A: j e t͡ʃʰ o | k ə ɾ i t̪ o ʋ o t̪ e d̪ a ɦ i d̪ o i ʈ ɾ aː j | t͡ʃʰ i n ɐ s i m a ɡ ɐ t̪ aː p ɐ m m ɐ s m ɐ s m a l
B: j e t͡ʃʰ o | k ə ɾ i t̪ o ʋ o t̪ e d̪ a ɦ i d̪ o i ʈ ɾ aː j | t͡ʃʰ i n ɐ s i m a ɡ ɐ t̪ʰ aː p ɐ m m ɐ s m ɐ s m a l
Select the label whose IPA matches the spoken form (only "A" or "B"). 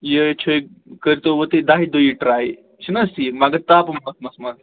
A